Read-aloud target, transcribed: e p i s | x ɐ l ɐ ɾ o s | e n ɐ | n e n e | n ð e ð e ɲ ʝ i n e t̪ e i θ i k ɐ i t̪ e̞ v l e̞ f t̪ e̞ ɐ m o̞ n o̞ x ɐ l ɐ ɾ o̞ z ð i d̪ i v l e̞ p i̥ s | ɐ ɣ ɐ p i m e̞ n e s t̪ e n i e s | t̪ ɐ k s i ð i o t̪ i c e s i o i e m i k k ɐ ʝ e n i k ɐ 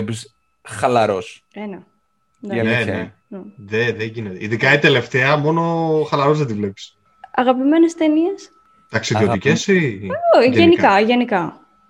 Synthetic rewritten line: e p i s | x ɐ l ɐ ɾ o s | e n ɐ | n e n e | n ð e ð e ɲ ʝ i n e t̪ e i ð i k ɐ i t̪ e̞ l e̞ f t̪ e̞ ɐ m o̞ n o̞ x ɐ l ɐ ɾ o̞ z ð e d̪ i v l e̞ p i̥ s | ɐ ɣ ɐ p i m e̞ n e s t̪ e n i e s | t̪ ɐ k s i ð i o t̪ i c e s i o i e n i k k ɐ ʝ e n i k ɐ